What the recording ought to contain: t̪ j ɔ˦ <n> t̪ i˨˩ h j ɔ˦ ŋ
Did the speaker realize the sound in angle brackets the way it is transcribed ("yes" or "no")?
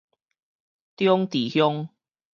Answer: no